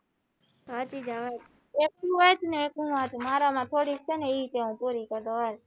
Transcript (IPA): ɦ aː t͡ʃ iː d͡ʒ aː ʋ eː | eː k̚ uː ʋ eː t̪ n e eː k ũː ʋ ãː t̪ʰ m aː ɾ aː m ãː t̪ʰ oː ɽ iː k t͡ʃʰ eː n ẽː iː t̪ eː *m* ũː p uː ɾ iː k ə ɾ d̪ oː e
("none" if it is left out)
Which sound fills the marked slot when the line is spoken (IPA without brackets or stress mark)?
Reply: none